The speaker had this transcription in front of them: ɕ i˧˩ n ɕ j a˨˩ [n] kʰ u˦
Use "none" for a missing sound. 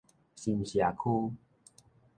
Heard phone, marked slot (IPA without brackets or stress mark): none